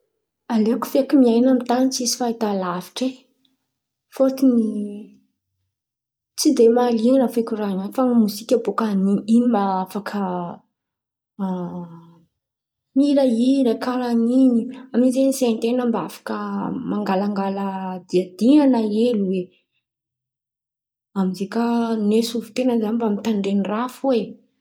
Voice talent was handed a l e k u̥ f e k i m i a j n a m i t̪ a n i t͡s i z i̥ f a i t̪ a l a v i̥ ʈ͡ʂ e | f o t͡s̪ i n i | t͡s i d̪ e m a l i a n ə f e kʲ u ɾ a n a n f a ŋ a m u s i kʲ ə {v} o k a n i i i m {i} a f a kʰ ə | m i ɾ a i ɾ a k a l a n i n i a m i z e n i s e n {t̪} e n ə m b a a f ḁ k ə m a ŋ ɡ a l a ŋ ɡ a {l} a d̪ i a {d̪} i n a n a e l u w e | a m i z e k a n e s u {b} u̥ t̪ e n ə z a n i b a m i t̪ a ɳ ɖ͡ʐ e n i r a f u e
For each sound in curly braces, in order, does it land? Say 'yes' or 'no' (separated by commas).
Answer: no, no, yes, yes, yes, no